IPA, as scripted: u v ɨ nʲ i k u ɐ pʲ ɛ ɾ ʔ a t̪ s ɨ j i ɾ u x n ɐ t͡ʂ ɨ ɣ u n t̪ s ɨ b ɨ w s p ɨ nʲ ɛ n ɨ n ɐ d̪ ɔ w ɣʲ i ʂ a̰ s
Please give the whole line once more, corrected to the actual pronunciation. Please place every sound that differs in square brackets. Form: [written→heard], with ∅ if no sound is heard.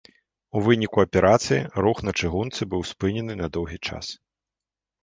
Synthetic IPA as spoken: u v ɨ nʲ i k u ɐ pʲ ɛ ɾ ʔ a t̪ s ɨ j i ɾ u x n ɐ t͡ʂ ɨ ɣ u n t̪ s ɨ b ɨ w s p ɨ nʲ ɛ n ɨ n ɐ d̪ ɔ w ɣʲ i [ʂ→t͡ʂ] a̰ s